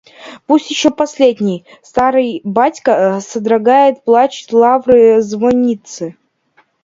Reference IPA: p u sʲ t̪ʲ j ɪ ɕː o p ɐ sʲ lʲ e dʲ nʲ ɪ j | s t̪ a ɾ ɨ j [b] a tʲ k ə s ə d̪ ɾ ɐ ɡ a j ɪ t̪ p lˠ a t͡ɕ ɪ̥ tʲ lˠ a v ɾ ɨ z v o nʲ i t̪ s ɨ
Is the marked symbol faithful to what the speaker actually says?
yes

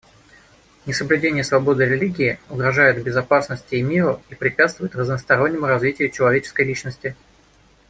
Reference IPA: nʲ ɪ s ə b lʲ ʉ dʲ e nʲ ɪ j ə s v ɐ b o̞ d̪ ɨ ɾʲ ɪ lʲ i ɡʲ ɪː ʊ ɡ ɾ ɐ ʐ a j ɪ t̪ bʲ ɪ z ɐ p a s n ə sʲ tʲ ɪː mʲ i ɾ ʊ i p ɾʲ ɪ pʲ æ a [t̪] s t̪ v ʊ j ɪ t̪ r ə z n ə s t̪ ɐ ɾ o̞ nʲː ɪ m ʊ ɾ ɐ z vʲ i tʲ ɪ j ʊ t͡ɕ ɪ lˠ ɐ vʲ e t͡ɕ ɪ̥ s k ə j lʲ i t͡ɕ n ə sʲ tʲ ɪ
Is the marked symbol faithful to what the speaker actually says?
yes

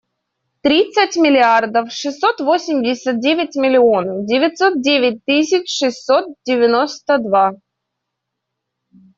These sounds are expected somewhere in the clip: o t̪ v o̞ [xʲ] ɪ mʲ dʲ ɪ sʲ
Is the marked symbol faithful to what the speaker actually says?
no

